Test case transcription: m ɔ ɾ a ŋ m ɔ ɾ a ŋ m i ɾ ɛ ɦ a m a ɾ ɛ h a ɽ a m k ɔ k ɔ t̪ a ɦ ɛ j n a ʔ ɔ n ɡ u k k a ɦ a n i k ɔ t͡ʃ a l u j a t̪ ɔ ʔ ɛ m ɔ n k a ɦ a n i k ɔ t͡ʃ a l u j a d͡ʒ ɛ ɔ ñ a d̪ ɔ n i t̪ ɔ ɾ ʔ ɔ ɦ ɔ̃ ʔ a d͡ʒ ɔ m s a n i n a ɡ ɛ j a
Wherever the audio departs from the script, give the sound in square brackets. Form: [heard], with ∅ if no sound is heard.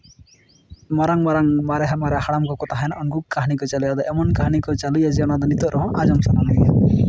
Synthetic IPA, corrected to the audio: m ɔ ɾ a ŋ m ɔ ɾ a ŋ m [a] ɾ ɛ ɦ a m a ɾ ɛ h a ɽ a m k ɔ k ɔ t̪ a ɦ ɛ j n a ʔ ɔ n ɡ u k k a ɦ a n i k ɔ t͡ʃ a l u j a [d̪] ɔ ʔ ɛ m ɔ n k a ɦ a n i k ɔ t͡ʃ a l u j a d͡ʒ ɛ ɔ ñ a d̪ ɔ n i t̪ ɔ ɾ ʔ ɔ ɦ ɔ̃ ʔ a d͡ʒ ɔ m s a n [a] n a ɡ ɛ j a